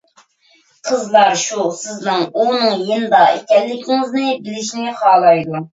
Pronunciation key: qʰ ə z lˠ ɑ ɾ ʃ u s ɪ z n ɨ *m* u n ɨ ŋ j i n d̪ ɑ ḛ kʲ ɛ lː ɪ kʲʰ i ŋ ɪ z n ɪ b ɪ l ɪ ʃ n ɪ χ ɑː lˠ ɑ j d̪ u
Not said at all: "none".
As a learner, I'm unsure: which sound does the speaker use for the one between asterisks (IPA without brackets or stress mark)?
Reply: ŋ